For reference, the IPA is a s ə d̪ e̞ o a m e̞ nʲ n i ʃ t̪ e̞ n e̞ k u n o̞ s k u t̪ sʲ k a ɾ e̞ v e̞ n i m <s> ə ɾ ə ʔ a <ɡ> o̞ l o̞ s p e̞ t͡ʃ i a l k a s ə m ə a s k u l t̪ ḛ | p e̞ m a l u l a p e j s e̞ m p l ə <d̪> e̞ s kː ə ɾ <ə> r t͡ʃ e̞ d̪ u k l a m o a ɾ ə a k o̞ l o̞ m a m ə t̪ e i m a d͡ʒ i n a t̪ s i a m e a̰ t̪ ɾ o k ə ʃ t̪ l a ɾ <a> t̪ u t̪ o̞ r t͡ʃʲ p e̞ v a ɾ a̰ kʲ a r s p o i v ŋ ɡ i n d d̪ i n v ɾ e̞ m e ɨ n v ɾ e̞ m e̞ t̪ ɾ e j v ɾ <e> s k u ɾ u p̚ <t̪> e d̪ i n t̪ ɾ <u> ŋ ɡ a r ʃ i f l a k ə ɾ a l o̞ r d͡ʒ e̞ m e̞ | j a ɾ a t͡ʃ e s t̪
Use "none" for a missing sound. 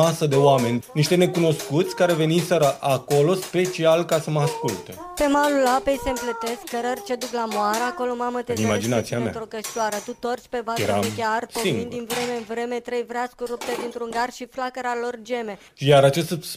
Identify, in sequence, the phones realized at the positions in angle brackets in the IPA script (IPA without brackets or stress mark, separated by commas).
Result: s, k, t̪, ə, ə, a, t̪, u